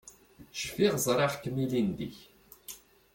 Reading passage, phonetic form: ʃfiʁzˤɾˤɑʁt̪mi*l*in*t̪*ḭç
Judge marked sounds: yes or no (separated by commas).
yes, no